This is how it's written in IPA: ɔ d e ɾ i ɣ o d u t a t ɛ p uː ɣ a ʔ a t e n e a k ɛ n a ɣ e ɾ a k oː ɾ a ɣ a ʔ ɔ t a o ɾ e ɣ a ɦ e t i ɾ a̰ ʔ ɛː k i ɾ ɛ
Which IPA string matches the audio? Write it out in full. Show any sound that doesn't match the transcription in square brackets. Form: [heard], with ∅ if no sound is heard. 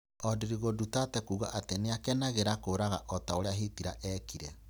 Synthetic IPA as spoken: ɔ d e ɾ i ɣ o d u t a t ɛ [k] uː ɣ a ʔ a t e n e a k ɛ n a ɣ e ɾ a k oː ɾ a ɣ a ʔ ɔ t a o ɾ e [∅] a ɦ e t i ɾ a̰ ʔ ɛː k i ɾ ɛ